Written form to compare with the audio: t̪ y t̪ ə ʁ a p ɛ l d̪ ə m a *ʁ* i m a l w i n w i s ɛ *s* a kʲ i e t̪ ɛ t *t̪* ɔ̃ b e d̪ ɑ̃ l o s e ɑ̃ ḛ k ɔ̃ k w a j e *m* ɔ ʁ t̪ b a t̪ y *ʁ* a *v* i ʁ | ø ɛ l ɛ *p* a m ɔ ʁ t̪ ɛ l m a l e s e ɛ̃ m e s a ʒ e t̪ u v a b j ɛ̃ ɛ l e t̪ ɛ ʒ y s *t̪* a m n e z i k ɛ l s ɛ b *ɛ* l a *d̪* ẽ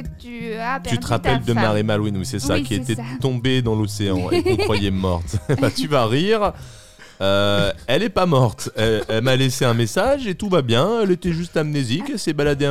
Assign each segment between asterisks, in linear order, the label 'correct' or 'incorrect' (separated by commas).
correct, correct, correct, correct, incorrect, incorrect, correct, correct, incorrect, correct